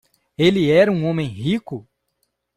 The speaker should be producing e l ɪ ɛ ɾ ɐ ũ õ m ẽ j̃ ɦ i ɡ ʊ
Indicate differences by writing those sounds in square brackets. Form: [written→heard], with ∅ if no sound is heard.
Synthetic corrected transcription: e l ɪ ɛ ɾ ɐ ũ õ m ẽ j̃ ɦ i [ɡ→k] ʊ